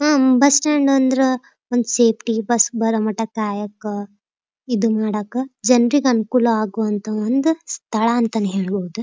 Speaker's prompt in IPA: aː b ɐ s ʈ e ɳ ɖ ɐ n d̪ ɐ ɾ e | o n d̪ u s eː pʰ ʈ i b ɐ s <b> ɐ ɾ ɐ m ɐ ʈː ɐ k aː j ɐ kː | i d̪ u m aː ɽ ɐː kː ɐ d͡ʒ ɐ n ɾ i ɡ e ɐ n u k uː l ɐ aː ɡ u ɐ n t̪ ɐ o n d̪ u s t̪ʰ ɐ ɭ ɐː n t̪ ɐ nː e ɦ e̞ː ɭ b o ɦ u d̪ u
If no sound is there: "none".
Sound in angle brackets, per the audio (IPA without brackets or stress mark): b